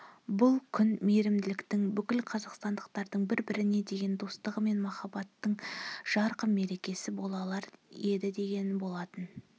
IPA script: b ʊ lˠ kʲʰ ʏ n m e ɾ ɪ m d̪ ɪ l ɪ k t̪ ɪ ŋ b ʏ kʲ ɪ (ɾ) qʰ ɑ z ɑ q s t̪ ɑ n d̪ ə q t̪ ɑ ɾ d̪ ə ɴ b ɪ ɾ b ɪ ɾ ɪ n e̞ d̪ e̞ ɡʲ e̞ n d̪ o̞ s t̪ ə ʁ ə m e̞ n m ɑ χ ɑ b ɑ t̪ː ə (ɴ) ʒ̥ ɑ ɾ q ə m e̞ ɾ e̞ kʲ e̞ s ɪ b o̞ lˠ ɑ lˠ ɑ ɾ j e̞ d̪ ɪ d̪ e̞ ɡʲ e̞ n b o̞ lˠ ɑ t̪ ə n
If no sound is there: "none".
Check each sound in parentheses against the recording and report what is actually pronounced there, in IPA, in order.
l, ɴ

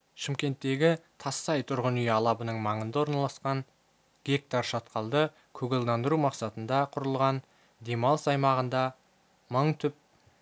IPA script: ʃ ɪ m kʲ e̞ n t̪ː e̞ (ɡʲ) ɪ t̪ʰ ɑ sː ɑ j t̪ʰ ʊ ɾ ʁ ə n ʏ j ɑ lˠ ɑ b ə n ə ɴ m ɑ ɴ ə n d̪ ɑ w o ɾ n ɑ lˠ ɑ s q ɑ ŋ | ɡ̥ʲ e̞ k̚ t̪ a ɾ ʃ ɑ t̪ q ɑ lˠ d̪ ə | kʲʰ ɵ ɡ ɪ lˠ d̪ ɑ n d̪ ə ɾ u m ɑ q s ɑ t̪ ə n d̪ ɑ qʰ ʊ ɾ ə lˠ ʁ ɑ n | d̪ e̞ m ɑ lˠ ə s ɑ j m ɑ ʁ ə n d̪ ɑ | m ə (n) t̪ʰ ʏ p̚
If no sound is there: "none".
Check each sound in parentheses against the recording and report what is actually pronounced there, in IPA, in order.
ɡʲ, ɴ

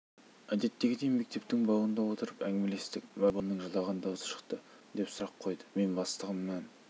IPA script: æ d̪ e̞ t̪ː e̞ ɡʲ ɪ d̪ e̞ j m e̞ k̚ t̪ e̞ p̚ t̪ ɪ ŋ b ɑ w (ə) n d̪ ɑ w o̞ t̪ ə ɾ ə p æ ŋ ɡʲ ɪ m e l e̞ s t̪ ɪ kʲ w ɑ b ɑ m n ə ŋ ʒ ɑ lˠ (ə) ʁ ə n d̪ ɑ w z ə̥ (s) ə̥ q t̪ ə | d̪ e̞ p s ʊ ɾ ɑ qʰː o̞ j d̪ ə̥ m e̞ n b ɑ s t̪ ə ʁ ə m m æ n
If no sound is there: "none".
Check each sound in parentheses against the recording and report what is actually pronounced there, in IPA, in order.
ə, ɑ, ʃ

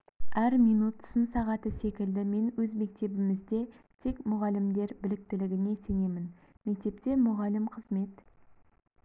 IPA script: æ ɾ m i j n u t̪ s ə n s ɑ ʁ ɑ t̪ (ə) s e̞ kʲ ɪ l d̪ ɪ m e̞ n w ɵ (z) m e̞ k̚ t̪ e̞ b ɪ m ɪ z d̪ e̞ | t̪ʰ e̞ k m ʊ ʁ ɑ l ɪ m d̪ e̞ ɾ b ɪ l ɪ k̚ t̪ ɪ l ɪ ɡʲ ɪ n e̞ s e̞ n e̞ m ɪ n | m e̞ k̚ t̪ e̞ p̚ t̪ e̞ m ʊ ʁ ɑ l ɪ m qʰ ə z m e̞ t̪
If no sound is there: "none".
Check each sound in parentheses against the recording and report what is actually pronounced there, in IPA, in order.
ə, z

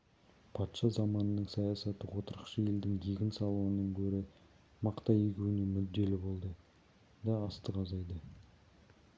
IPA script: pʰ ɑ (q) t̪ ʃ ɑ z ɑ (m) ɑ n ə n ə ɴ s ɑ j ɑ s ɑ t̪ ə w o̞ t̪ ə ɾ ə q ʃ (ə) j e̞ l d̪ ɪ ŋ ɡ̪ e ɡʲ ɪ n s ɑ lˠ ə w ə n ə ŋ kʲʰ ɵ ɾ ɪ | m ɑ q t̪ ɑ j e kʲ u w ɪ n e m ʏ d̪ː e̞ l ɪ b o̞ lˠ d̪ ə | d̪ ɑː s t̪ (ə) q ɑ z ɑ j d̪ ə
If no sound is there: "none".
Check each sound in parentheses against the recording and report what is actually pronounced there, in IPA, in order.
none, m, ə, ə

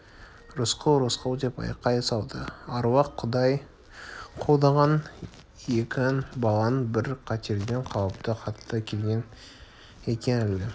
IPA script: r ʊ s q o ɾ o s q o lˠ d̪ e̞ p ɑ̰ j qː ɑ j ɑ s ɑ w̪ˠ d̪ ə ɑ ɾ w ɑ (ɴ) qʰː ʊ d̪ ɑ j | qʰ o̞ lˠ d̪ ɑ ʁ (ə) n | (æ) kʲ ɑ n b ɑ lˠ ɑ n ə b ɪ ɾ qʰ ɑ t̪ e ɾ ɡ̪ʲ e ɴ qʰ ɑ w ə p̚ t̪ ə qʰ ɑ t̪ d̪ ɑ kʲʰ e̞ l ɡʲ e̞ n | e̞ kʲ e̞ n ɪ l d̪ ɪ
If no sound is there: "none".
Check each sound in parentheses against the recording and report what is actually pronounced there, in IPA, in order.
none, ɑ, e

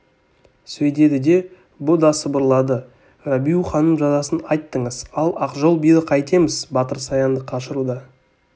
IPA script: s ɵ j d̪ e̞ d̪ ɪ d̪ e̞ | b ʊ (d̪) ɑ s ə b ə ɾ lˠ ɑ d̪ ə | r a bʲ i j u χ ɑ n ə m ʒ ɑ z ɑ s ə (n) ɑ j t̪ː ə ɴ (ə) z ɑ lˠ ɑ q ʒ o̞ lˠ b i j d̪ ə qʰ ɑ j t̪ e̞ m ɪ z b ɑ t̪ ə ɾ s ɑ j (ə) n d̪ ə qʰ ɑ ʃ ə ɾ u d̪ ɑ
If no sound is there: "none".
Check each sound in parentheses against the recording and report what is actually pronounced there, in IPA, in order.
d̪, n, ə, ɑ

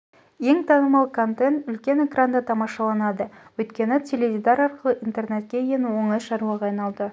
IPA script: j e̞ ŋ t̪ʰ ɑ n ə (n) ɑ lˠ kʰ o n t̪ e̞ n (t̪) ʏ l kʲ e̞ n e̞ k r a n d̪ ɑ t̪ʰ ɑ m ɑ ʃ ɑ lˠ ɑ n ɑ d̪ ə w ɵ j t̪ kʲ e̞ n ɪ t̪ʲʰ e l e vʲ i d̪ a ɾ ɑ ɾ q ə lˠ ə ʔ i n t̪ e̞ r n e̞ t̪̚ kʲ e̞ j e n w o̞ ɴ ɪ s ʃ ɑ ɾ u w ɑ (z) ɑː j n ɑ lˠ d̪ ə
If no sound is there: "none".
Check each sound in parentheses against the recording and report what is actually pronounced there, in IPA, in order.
m, t̪, ʁ

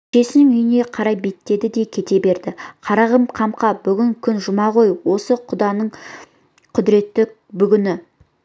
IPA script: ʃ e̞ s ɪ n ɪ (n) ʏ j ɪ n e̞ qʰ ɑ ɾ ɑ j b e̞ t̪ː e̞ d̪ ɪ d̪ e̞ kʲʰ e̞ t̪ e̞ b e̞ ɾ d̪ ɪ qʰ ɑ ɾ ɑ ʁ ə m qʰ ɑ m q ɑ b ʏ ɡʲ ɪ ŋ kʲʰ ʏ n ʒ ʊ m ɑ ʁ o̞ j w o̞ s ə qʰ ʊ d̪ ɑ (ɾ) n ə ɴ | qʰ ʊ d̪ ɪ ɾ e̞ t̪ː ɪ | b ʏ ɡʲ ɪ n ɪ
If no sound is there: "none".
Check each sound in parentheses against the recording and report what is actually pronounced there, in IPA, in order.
ŋ, none

